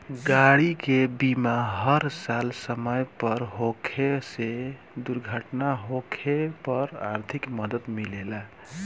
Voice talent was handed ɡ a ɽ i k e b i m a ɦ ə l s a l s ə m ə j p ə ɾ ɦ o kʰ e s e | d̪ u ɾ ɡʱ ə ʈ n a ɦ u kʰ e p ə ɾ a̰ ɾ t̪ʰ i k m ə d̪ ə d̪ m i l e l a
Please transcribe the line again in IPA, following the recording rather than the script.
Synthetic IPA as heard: ɡ a ɽ i k e b i m a ɦ ə ɾ s a l s ə m ə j p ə ɾ ɦ o kʰ e s e | d̪ u ɾ ɡʱ ə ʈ n a ɦ o kʰ e p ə ɾ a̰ ɾ t̪ʰ i k m ə d̪ ə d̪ m i l e l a